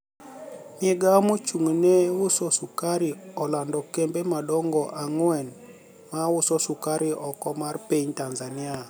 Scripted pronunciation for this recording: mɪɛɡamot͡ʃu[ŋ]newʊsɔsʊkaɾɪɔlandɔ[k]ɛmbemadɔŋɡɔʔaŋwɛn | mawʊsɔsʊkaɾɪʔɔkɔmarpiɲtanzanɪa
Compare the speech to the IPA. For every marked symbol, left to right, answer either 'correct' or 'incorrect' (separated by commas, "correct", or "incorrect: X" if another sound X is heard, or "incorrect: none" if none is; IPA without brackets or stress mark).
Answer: correct, correct